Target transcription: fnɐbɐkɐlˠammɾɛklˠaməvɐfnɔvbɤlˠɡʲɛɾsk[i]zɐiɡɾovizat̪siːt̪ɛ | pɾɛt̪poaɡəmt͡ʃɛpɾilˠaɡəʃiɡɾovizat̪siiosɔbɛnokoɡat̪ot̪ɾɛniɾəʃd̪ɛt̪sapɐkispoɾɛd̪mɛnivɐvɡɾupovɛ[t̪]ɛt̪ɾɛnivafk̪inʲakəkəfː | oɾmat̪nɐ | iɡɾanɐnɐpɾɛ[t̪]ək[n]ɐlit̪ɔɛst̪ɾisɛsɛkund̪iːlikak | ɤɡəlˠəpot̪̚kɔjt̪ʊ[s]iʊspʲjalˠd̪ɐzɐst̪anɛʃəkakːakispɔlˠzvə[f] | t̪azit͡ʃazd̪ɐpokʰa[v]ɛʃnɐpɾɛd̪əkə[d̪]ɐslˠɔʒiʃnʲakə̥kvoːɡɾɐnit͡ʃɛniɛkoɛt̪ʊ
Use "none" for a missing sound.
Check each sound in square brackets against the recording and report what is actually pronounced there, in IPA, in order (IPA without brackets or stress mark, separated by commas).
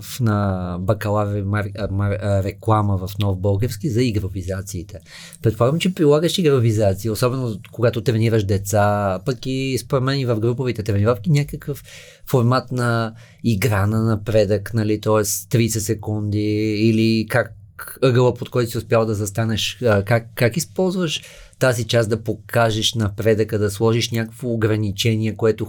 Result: i, t̪, d̪, n, s, ʃ, ʒ, d̪